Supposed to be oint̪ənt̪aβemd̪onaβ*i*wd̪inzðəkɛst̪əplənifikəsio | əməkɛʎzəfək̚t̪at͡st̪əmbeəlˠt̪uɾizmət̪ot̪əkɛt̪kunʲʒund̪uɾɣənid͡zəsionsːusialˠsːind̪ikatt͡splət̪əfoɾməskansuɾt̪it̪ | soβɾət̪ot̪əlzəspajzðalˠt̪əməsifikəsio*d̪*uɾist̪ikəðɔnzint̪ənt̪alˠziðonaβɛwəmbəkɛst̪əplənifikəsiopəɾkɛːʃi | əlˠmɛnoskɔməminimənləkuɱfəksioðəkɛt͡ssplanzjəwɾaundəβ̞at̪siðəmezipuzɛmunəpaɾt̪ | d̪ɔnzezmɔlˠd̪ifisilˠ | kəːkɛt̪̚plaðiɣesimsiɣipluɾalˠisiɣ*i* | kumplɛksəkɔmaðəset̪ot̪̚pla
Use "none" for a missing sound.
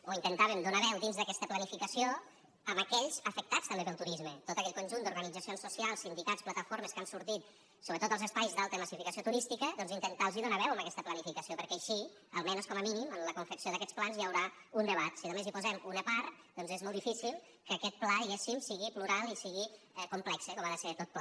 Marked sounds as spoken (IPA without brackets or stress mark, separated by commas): ɛ, t̪, i